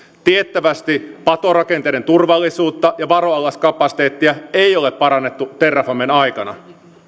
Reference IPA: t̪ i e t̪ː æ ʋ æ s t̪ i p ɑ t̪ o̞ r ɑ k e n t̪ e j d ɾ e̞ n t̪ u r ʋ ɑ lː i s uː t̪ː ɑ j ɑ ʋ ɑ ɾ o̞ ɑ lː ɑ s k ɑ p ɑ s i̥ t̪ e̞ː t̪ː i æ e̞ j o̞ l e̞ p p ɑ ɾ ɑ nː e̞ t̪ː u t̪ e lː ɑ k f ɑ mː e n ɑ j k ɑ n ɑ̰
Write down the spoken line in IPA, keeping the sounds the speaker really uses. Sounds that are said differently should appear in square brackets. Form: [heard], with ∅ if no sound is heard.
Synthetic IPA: t̪ i e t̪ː æ ʋ æ s t̪ i p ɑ t̪ o̞ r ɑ k e n t̪ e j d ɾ e̞ n t̪ u r ʋ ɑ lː i s uː t̪ː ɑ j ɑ ʋ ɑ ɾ o̞ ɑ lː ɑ s k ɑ p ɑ s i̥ t̪ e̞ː t̪ː i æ e̞ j o̞ l e̞ p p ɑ ɾ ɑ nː e̞ t̪ː u t̪ e [rː] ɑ [∅] f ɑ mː e n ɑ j k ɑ n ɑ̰